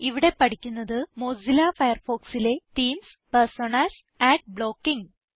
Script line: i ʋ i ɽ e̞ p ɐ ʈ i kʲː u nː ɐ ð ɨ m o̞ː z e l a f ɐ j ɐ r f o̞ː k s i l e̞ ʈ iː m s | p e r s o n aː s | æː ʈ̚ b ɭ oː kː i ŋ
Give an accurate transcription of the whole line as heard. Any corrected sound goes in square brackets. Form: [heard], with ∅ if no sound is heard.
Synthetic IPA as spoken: i ʋ i ɽ e̞ p ɐ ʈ i kʲː u nː ɐ ð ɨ m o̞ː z [i] l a f ɐ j ɐ r f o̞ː k s i l e̞ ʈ iː m s | p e r s o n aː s | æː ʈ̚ b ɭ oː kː i ŋ